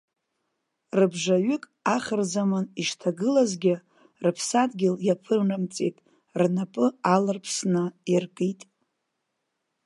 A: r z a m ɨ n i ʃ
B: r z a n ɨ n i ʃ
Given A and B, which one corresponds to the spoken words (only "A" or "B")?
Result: A